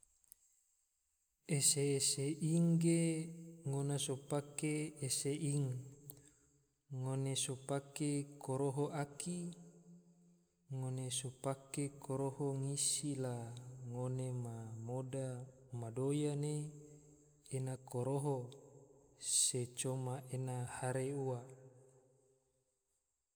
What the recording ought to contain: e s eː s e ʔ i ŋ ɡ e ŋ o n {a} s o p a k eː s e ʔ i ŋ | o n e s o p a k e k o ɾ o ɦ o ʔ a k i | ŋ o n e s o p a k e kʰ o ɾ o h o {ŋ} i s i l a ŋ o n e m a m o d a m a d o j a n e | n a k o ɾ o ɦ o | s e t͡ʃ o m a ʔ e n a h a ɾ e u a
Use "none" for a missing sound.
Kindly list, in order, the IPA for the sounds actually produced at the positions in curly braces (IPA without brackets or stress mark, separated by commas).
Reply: a, ŋ